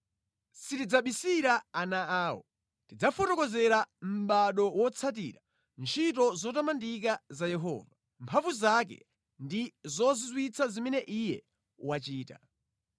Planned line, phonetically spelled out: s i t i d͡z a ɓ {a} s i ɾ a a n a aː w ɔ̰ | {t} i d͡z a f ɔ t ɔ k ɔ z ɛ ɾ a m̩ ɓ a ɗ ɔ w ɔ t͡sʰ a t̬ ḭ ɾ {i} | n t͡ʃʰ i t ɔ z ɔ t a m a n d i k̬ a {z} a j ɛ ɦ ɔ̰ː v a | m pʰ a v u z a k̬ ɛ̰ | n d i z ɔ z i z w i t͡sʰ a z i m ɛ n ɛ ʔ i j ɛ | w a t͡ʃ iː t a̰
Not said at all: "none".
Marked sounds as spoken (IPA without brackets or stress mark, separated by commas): i, t, a, z